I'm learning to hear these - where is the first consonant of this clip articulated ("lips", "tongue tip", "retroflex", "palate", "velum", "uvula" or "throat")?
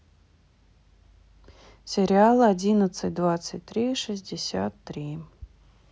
tongue tip